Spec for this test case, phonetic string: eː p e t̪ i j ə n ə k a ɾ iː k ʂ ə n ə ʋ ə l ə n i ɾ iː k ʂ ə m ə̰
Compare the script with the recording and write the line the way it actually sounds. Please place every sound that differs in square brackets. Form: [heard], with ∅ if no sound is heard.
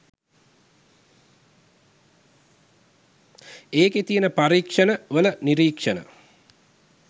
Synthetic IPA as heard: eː [k] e t̪ i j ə n ə [p] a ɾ iː k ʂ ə n ə ʋ ə l ə n i ɾ iː k ʂ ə [n] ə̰